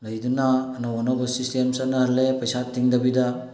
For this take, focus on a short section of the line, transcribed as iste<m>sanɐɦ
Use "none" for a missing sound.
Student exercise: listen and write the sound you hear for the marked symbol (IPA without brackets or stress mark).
m